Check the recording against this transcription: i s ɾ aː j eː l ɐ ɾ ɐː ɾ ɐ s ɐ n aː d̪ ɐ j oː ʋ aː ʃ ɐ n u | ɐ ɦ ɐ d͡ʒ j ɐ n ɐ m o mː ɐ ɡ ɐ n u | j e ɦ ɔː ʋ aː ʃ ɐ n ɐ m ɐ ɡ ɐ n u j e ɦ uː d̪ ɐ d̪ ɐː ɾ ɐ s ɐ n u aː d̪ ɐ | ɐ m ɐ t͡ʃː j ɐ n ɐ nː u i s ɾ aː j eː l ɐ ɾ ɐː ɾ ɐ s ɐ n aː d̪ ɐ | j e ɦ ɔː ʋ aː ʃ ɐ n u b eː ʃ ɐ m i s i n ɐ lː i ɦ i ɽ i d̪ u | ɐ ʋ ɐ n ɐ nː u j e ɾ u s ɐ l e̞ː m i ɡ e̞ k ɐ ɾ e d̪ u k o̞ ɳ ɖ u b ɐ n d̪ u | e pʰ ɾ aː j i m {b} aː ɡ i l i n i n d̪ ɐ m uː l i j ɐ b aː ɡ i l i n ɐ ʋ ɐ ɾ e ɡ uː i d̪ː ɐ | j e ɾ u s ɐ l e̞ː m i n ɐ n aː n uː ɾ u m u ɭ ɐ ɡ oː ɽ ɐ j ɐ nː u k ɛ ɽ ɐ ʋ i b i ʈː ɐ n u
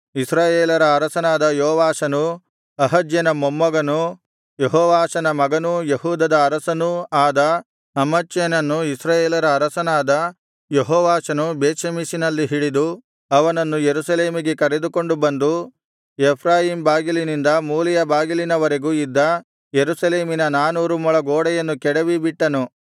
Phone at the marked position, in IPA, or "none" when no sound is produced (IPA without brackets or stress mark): b